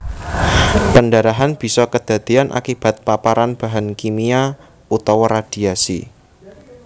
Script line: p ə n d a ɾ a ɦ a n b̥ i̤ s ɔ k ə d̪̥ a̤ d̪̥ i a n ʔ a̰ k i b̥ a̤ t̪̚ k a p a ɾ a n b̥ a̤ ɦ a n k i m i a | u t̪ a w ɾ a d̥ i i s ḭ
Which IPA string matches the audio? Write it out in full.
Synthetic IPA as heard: p ə n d a ɾ a ɦ a n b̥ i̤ s ɔ k ə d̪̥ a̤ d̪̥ i a n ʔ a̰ k i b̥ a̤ t̪̚ p a p a ɾ a n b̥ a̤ ɦ a n k i m i a | u t̪ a w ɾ a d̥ i a s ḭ